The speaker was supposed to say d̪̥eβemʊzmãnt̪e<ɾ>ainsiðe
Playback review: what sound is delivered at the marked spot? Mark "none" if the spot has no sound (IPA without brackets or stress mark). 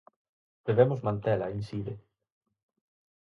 l